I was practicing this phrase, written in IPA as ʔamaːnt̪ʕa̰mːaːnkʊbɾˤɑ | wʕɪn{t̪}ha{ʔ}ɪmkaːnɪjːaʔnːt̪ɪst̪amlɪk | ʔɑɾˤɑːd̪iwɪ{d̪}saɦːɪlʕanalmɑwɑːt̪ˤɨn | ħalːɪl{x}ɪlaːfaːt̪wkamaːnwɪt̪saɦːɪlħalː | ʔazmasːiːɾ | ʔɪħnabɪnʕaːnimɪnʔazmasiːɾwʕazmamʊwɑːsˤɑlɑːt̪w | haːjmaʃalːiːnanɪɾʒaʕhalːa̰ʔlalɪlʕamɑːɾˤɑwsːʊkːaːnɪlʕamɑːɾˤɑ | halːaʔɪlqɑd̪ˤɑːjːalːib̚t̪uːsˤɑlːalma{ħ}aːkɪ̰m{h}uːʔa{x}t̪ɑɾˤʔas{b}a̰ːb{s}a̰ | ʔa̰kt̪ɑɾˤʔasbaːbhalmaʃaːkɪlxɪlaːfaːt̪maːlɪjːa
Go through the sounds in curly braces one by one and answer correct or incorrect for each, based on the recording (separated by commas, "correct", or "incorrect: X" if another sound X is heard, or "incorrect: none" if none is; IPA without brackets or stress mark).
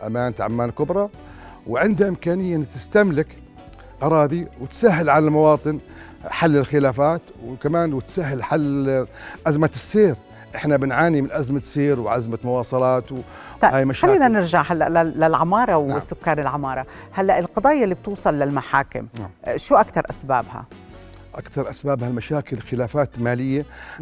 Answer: incorrect: d̪, correct, incorrect: t̪, correct, correct, incorrect: ʃ, incorrect: k, correct, incorrect: h